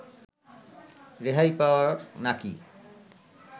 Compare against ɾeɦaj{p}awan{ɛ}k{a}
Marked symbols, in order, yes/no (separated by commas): yes, no, no